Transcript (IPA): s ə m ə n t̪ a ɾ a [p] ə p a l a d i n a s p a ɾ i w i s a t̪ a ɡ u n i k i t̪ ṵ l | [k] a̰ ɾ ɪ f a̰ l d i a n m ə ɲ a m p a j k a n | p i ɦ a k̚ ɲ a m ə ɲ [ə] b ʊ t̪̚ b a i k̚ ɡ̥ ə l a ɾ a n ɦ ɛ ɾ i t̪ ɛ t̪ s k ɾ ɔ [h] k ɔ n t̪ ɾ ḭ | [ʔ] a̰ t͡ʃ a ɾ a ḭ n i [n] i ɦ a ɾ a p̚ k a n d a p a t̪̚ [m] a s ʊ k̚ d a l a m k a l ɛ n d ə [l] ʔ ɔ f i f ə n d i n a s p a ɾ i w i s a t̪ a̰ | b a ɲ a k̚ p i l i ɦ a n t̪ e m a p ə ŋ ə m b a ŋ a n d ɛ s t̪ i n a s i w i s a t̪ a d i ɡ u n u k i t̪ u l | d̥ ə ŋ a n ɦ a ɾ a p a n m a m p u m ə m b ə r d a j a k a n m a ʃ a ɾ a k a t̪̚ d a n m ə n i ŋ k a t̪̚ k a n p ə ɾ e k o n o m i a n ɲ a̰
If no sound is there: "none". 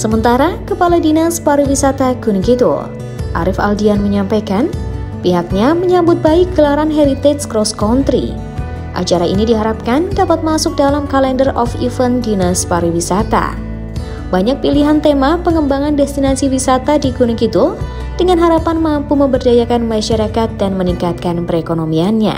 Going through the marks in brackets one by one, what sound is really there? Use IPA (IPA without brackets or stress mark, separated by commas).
k, ʔ, a, s, ʔ, d, m, r